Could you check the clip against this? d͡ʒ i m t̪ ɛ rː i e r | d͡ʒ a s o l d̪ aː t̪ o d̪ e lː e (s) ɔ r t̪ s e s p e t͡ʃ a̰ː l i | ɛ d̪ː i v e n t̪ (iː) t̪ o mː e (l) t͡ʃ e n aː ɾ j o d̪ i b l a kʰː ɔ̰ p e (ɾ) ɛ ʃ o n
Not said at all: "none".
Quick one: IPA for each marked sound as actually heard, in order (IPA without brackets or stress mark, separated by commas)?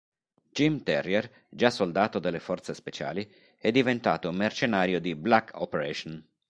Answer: f, aː, r, ɾ